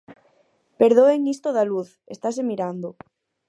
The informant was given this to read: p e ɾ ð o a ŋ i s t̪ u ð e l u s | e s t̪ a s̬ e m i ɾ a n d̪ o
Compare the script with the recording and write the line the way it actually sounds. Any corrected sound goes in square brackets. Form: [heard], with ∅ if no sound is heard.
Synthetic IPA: p e ɾ ð o [e] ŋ i s t̪ [o] ð [a] l u [θ] | e s t̪ a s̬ e m i ɾ a n d̪ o

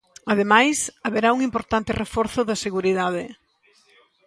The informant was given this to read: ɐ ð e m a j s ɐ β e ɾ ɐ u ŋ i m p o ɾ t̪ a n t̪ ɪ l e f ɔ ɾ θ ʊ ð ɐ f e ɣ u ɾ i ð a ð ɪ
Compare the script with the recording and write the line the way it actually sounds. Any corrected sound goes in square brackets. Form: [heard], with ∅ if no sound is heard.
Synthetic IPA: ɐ ð e m a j s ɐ β e ɾ [a] u ŋ i m p o ɾ t̪ a n t̪ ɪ [r] e f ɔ ɾ θ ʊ ð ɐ [s] e ɣ u ɾ i ð a ð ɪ

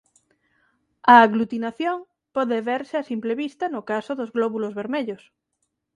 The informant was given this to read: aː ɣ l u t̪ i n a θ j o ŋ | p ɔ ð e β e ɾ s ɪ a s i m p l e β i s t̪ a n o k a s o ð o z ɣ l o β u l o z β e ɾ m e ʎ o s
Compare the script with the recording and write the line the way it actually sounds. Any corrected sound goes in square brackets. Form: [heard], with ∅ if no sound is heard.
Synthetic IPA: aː ɣ l u t̪ i n a θ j o ŋ | p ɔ ð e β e ɾ s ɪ a s i m p l e β i s t̪ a n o k a s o ð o z ɣ l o β u l o z β e ɾ m e ʎ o s

